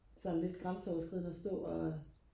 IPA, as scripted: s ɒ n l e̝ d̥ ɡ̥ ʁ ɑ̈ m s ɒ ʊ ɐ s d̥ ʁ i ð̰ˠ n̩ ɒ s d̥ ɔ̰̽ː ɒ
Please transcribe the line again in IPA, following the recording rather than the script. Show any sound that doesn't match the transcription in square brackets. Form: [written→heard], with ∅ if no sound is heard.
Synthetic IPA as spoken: s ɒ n l e̝ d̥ ɡ̥ ʁ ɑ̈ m s ɒ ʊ ɐ s [d̥→ɡ̥] ʁ i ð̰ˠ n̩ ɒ s d̥ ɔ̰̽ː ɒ